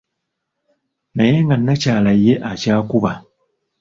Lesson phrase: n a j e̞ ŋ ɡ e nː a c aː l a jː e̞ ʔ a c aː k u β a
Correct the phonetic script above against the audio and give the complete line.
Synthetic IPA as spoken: n a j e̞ ŋ ɡ a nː a c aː l a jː e̞ ʔ a c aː k u β a